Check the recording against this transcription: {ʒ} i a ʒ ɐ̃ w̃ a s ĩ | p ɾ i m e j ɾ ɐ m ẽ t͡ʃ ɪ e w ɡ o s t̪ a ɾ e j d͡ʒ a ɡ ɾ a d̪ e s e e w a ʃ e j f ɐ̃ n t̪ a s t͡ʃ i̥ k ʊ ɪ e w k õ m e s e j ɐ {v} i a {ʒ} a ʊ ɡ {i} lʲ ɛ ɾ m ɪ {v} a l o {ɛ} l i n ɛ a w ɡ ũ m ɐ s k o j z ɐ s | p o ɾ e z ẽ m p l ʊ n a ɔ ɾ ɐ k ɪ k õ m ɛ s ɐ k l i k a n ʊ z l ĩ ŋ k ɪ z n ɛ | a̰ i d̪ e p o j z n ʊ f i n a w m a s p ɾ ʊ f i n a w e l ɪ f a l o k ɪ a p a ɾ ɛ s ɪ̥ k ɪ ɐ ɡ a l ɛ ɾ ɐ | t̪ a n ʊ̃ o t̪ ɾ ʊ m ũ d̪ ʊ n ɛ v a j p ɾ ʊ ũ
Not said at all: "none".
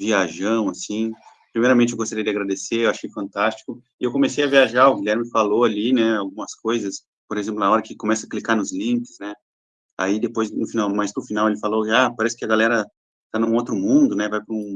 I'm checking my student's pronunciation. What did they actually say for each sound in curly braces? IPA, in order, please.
v, v, ʒ, i, f, a

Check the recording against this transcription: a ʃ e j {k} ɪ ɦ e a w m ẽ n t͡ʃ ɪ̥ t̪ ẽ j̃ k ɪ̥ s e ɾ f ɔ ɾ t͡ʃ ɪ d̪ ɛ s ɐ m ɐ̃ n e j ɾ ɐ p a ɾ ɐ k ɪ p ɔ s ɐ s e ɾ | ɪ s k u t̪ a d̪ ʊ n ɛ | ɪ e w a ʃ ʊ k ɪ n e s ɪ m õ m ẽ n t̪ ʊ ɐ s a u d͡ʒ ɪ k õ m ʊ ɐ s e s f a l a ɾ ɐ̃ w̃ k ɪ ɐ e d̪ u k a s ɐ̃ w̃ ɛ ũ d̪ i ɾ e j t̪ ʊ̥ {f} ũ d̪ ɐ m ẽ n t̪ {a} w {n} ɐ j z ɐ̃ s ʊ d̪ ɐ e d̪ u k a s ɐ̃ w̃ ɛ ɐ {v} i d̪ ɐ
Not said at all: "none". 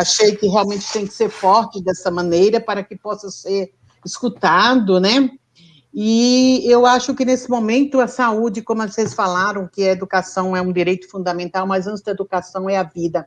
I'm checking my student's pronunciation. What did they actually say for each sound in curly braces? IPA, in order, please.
k, f, a, m, v

